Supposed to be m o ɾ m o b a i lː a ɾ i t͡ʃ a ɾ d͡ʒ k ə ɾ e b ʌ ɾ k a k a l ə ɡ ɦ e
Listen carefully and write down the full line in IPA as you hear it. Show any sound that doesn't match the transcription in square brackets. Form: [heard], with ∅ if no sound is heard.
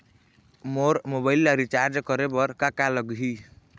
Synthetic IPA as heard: m o ɾ m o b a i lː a ɾ i t͡ʃ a ɾ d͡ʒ k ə ɾ e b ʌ ɾ k a k a l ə ɡ ɦ [i]